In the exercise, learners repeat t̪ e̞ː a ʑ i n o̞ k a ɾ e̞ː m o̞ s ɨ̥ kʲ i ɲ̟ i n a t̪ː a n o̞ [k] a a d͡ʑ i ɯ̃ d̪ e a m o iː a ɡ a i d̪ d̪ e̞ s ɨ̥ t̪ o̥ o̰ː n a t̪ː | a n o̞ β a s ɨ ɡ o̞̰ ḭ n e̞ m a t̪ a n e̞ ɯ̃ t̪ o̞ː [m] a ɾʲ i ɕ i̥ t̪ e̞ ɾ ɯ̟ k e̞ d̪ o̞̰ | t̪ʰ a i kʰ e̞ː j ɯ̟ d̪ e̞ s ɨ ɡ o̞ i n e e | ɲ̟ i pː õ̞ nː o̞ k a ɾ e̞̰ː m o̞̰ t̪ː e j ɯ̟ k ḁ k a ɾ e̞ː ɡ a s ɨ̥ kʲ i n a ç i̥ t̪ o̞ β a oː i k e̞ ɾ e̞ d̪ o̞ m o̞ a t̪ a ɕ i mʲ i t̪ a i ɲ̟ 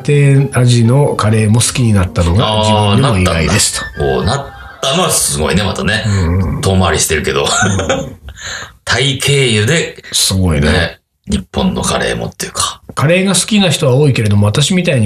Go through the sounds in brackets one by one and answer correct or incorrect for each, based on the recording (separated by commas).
incorrect, correct